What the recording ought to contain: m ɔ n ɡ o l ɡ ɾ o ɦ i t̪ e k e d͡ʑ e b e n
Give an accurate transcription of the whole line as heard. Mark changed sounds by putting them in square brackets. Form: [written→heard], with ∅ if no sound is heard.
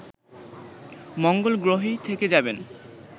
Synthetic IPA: m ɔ [n→ŋ] ɡ o l ɡ ɾ o ɦ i [t̪→t̪ʰ] e k e d͡ʑ [e→a] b e n